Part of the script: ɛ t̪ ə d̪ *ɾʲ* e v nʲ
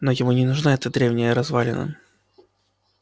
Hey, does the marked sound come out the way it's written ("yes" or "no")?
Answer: yes